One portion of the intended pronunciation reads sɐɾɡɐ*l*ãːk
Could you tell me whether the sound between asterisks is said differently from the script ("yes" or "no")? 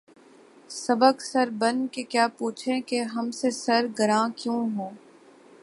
yes